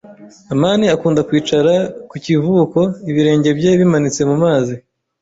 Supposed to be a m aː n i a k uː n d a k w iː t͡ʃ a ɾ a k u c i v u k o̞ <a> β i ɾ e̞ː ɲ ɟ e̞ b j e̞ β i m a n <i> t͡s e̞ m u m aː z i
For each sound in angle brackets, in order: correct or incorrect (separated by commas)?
incorrect, correct